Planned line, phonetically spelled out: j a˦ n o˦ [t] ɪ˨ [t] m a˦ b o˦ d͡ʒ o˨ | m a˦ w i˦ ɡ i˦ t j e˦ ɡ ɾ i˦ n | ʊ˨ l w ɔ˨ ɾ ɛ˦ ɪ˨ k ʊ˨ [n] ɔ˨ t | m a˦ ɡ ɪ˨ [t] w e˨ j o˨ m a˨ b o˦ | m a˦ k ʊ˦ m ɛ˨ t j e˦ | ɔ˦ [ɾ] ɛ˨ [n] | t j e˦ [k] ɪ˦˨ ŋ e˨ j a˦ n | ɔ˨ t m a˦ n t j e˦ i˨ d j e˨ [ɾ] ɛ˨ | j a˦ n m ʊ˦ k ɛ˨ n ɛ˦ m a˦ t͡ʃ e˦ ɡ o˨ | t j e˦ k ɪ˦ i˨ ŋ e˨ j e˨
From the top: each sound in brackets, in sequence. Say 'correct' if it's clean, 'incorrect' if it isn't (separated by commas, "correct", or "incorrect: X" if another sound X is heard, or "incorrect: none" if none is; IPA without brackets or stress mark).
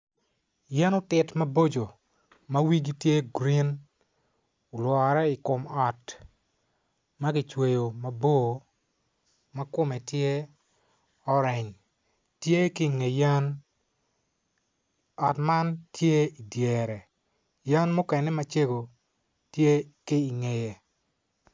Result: correct, correct, incorrect: m, incorrect: t͡ʃ, correct, incorrect: ɲ, correct, correct